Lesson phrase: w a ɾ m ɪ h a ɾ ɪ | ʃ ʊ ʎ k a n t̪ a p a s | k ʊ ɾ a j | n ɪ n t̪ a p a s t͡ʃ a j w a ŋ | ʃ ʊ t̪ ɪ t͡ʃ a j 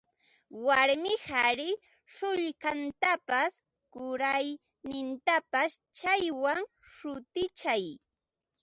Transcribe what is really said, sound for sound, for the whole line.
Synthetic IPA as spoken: w a ɾ m ɪ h a ɾ ɪ | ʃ ʊ ʎ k a n t̪ a p a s | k ʊ ɾ a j | n ɪ n t̪ a p a s t͡ʃ a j w a ŋ | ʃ ʊ t̪ ɪ t͡ʃ a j